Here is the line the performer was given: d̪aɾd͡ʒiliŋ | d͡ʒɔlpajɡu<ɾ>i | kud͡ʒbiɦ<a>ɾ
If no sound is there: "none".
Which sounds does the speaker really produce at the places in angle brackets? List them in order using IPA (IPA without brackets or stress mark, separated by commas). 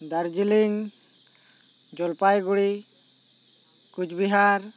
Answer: ɽ, a